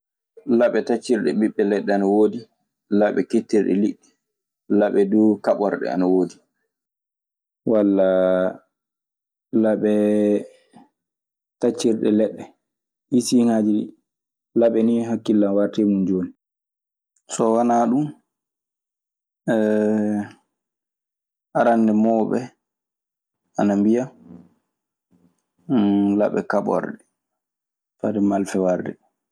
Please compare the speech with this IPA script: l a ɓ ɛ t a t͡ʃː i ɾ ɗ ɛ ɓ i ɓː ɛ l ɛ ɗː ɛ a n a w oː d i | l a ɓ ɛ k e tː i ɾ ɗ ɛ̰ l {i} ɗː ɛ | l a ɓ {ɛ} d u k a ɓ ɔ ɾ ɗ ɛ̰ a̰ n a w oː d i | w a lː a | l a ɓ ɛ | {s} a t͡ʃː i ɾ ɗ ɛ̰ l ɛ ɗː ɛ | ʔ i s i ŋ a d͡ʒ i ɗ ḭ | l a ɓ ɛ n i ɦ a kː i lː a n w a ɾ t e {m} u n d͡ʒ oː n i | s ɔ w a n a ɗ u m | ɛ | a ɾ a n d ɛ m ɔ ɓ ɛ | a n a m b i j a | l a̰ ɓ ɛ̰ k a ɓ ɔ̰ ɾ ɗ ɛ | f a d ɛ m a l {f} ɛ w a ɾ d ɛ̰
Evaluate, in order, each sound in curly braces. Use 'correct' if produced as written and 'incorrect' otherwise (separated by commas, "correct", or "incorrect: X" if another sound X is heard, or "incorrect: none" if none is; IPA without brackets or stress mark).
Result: correct, correct, incorrect: t, correct, correct